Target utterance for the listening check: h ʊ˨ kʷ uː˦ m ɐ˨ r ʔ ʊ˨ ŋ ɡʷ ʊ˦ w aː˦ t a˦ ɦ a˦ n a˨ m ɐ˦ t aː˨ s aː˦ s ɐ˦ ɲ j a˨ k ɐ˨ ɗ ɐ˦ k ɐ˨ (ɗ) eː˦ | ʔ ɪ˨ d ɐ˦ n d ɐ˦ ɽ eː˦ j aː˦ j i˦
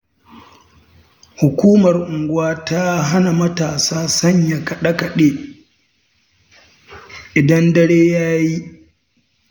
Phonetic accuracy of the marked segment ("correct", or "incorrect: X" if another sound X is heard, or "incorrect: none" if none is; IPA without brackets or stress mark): correct